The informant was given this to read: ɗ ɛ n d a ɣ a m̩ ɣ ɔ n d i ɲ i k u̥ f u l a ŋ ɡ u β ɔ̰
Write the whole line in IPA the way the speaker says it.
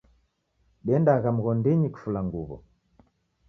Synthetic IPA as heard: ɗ ɛ n d a ɣ a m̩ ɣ ɔ n d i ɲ i k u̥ f u l a ŋ ɡ u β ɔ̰

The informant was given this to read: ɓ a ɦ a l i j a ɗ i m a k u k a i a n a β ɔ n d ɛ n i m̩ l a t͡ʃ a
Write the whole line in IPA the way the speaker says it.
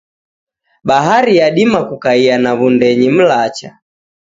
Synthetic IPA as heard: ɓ a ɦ a ɾ i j a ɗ i m a k u k a i a n a β u n d ɛ ɲ i m̩ l a t͡ʃ a

